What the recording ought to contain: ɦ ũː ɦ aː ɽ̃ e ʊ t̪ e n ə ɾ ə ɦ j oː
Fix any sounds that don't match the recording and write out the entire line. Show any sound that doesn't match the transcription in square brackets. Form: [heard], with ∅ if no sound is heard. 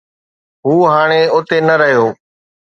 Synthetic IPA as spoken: ɦ [uː] ɦ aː ɽ̃ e ʊ t̪ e n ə ɾ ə ɦ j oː